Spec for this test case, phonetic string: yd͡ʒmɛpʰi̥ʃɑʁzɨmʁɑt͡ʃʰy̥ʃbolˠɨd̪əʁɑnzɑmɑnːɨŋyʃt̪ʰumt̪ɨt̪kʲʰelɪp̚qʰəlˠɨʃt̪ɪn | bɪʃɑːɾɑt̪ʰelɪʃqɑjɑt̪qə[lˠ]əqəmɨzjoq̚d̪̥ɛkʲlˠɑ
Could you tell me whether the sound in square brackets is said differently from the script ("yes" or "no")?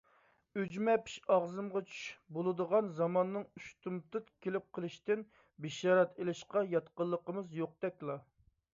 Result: yes